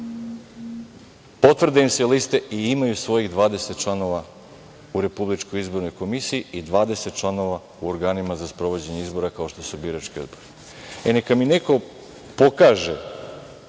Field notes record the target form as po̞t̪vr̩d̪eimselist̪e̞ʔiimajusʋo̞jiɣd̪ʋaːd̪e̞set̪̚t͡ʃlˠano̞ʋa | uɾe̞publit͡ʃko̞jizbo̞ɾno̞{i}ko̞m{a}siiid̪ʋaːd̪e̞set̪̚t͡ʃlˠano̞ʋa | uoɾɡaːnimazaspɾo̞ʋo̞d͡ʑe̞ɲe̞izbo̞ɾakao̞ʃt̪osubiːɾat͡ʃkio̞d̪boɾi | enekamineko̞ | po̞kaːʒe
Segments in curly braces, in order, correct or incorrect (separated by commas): incorrect, incorrect